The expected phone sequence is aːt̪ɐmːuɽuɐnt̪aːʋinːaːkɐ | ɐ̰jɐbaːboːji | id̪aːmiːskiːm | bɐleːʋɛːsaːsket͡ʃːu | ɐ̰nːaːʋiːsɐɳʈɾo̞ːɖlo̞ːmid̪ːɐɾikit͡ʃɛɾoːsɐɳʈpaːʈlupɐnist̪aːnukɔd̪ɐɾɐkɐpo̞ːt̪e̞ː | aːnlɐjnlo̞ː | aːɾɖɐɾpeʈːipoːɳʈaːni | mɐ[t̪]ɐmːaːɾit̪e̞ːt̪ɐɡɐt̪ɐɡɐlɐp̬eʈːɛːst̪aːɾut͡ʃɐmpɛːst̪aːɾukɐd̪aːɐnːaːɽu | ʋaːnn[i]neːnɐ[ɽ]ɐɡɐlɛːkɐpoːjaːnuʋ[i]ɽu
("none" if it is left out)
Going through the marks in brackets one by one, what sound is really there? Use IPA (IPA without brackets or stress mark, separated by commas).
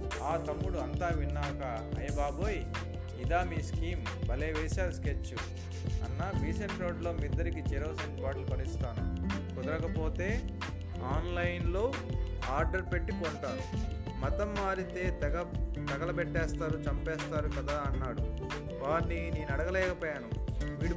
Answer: t̪, i, ɽ, iː